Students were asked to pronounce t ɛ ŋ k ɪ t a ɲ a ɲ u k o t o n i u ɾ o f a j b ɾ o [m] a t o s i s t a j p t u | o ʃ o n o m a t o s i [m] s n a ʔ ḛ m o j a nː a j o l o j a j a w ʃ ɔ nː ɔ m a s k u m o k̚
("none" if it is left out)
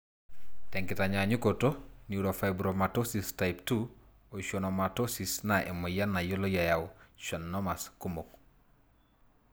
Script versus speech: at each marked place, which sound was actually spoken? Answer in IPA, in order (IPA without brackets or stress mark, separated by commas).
m, none